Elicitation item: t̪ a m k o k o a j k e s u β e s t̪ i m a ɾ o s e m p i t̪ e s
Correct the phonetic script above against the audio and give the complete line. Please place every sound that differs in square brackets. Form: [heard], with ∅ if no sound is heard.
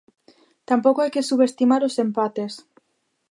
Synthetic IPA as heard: t̪ a m [p] o k o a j k e s u β e s t̪ i m a ɾ o s e m p [a] t̪ e s